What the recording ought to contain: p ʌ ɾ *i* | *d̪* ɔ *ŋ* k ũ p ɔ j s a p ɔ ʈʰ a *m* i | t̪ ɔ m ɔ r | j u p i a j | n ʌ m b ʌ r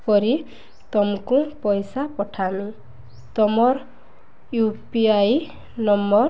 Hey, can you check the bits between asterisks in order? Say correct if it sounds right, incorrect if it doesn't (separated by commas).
correct, incorrect, incorrect, correct